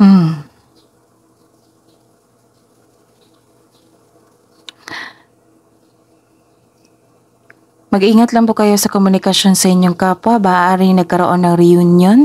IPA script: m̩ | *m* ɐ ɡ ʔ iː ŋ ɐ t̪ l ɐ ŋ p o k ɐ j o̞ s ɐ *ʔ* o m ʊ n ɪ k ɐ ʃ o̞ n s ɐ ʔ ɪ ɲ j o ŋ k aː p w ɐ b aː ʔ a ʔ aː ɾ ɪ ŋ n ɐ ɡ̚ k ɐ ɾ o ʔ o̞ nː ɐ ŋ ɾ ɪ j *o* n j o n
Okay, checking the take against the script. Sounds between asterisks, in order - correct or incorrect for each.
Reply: correct, incorrect: k, incorrect: u

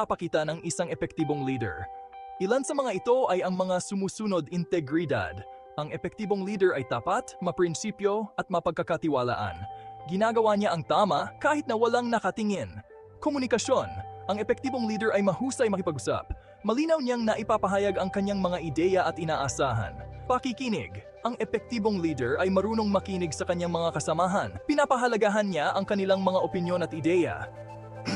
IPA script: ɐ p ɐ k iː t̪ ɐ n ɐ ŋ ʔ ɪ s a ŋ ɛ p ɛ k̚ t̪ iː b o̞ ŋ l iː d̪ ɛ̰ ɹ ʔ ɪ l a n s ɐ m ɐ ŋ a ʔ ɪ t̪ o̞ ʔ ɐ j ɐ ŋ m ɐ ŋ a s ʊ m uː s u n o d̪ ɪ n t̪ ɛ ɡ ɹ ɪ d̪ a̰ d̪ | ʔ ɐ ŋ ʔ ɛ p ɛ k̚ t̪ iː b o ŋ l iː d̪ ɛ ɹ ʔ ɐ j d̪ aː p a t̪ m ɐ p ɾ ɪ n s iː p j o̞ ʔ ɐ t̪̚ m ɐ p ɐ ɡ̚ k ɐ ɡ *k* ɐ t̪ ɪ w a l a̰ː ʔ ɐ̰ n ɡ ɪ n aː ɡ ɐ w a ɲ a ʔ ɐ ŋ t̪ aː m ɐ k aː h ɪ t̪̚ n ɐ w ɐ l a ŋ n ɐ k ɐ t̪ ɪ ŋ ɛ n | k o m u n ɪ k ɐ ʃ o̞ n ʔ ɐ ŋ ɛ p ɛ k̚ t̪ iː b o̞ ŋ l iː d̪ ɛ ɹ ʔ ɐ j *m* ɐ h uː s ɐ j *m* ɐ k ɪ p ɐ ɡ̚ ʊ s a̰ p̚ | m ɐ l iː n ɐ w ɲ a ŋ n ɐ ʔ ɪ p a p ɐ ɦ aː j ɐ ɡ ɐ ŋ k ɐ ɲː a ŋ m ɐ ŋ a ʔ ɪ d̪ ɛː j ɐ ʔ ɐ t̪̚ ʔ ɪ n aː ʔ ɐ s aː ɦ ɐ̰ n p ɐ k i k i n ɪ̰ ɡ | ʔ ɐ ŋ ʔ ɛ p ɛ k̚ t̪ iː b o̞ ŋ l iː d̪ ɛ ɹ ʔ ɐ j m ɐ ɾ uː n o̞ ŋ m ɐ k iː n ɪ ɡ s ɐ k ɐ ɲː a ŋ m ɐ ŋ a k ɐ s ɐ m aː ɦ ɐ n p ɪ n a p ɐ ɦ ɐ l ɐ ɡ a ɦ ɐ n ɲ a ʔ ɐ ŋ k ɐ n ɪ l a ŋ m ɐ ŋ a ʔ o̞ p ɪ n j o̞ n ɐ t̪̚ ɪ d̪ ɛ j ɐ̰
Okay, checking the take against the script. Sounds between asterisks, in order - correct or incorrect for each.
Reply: correct, correct, correct

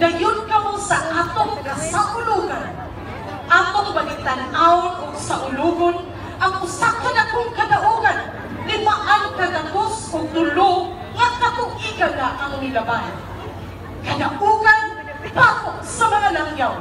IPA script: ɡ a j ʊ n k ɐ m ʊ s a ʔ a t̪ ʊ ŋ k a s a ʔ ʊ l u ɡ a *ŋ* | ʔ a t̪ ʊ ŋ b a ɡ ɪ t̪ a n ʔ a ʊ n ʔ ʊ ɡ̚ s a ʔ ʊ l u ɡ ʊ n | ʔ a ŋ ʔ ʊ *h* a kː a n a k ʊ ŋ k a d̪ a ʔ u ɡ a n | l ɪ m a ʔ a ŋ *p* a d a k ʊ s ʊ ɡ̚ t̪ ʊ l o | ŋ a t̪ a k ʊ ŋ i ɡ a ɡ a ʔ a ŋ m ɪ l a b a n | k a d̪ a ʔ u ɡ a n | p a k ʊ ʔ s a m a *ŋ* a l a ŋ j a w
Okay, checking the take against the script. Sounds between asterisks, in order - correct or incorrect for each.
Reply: incorrect: n, incorrect: s, incorrect: k, correct

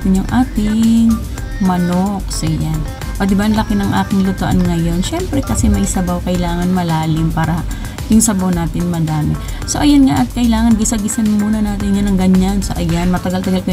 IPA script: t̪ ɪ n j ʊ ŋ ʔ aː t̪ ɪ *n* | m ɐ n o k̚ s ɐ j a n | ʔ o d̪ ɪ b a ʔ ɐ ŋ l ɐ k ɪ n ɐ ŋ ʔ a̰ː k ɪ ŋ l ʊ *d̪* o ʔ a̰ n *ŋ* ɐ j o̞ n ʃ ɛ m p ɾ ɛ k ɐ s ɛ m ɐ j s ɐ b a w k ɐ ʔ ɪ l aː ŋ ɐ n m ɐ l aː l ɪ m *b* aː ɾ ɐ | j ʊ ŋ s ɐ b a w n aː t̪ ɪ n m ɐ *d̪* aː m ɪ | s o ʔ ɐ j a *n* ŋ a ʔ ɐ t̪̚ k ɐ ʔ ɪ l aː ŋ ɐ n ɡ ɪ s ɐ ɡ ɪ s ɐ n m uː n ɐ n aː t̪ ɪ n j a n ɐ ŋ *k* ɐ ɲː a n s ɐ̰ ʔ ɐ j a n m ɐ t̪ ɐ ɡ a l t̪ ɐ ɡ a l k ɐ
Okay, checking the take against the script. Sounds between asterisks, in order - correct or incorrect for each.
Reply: incorrect: ŋ, incorrect: t̪, correct, incorrect: p, correct, correct, incorrect: ɡ

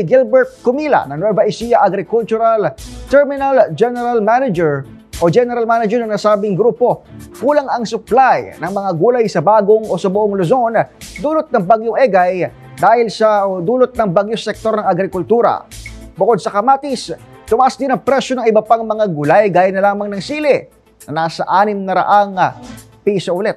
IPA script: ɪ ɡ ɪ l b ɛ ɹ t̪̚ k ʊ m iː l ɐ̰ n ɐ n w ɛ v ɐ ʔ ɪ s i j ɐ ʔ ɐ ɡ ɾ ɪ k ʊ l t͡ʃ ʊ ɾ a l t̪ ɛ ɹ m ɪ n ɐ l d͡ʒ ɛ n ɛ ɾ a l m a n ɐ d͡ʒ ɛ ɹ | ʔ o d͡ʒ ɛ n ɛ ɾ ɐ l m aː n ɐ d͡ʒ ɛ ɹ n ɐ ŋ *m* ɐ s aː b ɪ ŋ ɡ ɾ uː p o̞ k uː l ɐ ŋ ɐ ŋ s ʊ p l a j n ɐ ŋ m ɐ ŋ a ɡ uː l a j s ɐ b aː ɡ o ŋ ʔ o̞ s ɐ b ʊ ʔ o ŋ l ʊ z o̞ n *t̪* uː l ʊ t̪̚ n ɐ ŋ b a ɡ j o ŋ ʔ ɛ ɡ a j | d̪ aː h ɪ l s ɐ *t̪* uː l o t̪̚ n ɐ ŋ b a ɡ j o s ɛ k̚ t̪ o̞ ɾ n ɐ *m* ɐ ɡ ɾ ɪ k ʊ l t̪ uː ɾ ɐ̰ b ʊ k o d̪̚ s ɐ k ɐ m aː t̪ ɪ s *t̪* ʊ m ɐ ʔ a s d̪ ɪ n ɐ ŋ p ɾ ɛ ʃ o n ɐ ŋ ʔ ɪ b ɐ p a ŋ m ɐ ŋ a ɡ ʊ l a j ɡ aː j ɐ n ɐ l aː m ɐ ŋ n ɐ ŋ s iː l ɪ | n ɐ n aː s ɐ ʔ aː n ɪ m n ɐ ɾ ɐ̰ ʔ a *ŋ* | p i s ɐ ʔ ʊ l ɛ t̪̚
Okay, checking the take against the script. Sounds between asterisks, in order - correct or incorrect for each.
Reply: incorrect: n, incorrect: d̪, incorrect: d̪, incorrect: ŋ, correct, correct

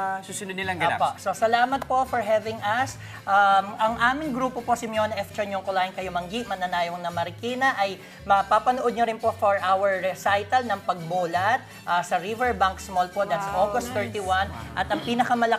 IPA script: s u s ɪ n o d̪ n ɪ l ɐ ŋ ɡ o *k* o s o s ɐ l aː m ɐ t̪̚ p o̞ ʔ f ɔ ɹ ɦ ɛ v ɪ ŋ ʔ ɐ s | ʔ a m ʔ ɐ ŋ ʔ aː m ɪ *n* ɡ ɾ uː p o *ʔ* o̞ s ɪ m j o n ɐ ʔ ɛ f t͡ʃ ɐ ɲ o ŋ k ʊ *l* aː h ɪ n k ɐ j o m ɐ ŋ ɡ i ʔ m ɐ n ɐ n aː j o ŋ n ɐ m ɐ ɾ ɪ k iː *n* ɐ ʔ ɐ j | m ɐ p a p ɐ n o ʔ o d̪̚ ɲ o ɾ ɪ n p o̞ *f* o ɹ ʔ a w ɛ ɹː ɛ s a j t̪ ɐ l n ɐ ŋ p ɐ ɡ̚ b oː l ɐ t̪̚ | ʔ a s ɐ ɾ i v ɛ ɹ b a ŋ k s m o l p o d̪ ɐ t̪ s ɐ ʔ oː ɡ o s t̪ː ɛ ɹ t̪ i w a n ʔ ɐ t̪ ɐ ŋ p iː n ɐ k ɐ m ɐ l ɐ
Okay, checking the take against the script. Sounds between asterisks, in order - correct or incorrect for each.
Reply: incorrect: p, incorrect: ŋ, incorrect: p, correct, correct, correct

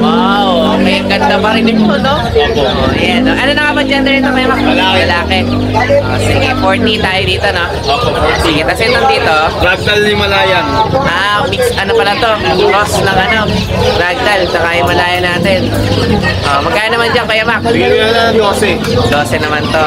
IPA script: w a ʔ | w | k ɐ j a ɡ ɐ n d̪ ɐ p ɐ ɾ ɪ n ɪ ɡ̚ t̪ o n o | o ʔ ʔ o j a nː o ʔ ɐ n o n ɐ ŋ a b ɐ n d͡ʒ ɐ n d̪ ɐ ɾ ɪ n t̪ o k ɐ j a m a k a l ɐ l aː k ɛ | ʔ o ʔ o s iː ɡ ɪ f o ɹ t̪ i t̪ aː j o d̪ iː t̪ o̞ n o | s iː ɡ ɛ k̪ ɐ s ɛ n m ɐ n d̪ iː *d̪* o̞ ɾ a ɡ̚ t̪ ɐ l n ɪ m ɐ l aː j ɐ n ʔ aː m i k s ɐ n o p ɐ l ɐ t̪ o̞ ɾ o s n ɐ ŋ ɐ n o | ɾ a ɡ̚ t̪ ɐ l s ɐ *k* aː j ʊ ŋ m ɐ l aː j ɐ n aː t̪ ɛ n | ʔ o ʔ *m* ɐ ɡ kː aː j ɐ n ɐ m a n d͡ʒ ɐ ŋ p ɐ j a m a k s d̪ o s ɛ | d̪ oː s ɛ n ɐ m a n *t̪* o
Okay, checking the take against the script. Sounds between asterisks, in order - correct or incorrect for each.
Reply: incorrect: t̪, correct, correct, correct

